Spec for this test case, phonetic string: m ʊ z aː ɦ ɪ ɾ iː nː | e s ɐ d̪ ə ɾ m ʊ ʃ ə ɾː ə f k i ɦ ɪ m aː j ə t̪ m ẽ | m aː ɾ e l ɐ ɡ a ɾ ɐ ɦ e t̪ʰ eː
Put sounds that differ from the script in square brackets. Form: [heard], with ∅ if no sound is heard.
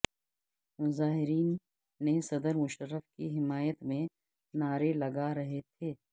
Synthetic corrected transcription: m ʊ z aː ɦ ɪ ɾ iː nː | e s ɐ d̪ ə ɾ m ʊ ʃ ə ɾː ə f k i ɦ ɪ m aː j ə t̪ m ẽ | [n] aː ɾ e l ɐ ɡ a ɾ ɐ ɦ e t̪ʰ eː